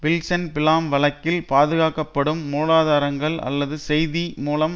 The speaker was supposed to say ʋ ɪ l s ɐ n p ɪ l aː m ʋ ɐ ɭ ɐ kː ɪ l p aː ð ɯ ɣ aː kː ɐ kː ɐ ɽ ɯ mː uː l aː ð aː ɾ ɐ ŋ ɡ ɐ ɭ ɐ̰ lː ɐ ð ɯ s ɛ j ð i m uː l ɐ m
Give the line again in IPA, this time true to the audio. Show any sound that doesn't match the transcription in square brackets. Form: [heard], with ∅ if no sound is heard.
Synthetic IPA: ʋ ɪ l s ɐ n p ɪ l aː m ʋ ɐ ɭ ɐ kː ɪ l p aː ð ɯ ɣ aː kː ɐ [pː] ɐ ɽ ɯ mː uː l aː ð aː ɾ ɐ ŋ ɡ ɐ ɭ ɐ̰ lː ɐ ð ɯ s ɛ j ð i m uː l ɐ m